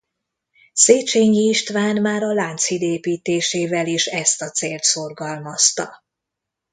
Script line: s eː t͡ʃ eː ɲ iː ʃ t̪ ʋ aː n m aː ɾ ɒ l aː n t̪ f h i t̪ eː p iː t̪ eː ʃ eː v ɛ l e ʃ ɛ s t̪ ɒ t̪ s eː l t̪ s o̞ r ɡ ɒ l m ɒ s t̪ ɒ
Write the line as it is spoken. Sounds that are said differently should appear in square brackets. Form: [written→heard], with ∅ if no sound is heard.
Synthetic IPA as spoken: s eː t͡ʃ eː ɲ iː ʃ t̪ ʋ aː n m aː ɾ ɒ l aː n t̪ [f→s] h i [t̪→d̪] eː p iː t̪ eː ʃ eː v ɛ l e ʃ ɛ s t̪ ɒ t̪ s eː l t̪ s o̞ r ɡ ɒ l m ɒ s t̪ ɒ